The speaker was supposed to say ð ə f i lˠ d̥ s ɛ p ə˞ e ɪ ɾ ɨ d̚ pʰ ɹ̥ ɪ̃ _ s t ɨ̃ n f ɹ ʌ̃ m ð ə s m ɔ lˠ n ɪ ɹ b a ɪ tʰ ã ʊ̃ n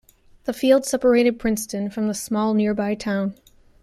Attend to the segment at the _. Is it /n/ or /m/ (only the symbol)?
n